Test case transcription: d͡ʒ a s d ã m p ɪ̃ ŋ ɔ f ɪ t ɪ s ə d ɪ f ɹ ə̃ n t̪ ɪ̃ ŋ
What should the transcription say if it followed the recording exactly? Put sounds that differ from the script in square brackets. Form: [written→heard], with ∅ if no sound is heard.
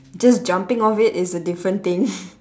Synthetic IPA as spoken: d͡ʒ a s [d→d͡ʒ] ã m p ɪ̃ ŋ ɔ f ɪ t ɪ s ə d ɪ f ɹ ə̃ n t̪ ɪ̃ ŋ